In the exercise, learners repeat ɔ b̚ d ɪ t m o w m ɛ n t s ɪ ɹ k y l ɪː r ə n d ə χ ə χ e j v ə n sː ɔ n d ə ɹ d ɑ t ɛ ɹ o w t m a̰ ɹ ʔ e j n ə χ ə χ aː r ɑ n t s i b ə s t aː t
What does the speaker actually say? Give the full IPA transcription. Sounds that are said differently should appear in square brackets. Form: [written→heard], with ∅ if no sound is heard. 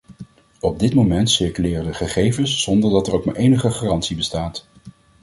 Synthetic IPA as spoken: ɔ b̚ d ɪ t m o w m ɛ n t s ɪ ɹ k y l ɪː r ə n d ə χ ə χ e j v ə n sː ɔ n d ə ɹ d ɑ t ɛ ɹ o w [t→k] m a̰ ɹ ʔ e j n ə χ ə χ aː r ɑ n t s i b ə s t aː t